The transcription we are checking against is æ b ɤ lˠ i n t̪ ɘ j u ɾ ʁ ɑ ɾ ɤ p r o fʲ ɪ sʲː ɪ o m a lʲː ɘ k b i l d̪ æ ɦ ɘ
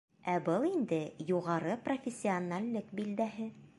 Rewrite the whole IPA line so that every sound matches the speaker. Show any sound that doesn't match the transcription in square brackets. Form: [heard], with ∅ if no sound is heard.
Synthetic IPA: æ b ɤ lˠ i n [d̪] ɘ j u [∅] ʁ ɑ ɾ ɤ p r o fʲ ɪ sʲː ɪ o [n] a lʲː ɘ k b i l d̪ æ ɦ ɘ